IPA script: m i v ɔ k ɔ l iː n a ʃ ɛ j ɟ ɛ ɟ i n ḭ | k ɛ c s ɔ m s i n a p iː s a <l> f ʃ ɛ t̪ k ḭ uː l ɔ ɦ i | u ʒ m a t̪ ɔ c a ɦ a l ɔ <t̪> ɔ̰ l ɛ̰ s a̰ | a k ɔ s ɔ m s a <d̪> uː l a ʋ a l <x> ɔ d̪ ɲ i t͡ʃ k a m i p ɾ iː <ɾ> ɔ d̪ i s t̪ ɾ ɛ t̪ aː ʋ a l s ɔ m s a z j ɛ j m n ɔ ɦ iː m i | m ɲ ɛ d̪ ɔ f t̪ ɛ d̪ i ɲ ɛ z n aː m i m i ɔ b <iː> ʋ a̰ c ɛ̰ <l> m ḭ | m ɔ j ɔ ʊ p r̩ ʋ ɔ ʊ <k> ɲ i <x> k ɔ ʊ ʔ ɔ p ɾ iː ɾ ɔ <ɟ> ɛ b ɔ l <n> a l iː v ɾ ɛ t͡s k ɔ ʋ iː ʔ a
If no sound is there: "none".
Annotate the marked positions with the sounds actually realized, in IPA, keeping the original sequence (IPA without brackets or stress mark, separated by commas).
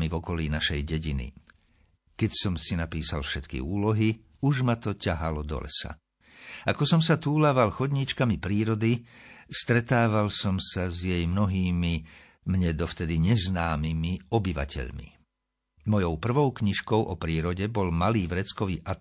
l, d̪, t̪, x, ɾ, i, ʎ, k, ʃ, ɟ, m